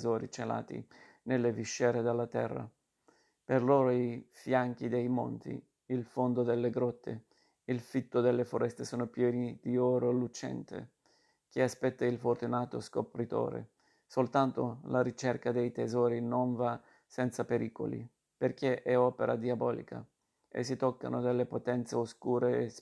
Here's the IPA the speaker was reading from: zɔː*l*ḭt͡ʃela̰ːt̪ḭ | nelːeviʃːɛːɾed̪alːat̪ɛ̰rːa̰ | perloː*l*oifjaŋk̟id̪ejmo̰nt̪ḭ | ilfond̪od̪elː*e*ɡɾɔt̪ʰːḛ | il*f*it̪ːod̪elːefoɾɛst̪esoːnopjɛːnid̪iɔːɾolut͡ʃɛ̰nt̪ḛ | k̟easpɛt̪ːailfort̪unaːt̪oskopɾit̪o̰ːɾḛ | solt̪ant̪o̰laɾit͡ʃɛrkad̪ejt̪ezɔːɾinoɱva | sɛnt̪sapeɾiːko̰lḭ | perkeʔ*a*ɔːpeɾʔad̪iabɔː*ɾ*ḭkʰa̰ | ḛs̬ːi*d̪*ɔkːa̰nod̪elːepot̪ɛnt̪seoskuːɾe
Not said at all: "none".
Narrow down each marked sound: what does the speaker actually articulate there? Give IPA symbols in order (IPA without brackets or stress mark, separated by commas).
ɾ, ɾ, e, f, ɛ, l, t̪